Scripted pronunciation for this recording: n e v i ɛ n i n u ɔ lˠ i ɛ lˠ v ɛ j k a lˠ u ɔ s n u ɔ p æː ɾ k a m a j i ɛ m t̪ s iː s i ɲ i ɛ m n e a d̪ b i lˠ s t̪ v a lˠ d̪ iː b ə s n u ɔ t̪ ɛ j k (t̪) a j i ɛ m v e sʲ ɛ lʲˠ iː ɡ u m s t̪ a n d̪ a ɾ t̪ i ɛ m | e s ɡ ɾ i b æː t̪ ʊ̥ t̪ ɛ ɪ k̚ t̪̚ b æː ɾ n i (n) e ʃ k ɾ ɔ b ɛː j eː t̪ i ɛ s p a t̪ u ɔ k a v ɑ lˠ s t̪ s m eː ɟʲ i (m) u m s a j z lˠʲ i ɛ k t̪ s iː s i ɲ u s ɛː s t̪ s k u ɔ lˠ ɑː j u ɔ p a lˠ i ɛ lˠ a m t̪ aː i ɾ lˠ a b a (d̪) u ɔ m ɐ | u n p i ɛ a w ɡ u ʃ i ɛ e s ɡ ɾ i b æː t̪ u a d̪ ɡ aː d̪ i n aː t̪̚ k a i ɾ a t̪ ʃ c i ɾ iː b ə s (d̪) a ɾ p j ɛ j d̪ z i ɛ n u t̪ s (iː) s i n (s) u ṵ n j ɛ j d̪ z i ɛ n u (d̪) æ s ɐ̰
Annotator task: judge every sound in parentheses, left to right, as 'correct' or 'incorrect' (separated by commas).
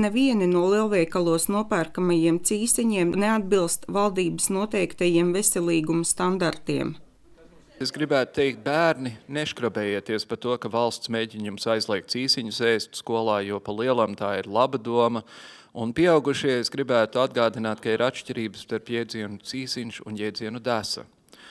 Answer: correct, correct, incorrect, correct, incorrect, correct, incorrect, correct